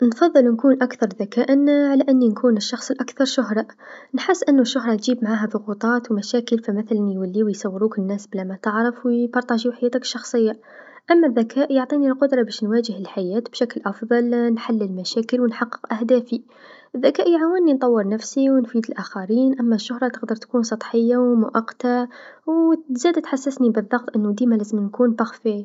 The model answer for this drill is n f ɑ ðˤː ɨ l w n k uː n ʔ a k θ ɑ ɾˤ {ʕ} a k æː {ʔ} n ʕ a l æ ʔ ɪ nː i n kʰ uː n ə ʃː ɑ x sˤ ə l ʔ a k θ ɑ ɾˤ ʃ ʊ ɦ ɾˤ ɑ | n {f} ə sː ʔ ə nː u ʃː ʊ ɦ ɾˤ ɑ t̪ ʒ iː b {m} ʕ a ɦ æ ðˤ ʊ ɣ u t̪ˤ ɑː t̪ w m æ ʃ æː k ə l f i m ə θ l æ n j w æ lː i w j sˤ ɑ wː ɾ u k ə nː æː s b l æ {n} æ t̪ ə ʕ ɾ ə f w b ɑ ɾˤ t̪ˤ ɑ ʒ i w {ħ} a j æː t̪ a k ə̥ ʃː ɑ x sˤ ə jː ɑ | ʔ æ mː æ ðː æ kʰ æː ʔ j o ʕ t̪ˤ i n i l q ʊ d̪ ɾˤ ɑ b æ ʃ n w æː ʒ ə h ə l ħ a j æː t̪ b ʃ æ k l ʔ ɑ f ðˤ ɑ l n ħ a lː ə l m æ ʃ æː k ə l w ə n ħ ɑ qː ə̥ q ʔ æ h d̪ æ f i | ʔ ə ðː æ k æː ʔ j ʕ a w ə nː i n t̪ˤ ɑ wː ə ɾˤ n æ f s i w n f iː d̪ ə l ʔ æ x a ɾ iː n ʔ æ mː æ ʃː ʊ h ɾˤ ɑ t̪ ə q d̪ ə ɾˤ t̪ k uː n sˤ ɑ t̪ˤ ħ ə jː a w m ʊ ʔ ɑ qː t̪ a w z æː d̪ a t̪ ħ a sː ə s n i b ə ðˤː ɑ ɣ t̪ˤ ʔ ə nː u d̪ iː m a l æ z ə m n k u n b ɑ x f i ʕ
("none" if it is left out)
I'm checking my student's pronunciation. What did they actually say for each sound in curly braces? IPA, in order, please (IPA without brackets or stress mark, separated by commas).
ð, ʔ, ħ, m, m, ħ